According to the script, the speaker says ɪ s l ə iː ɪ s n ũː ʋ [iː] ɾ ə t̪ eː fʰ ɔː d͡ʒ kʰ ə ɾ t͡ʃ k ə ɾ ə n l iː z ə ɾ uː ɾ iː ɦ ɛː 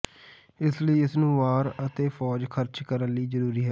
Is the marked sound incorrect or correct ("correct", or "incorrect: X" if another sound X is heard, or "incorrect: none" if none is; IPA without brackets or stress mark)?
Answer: incorrect: aː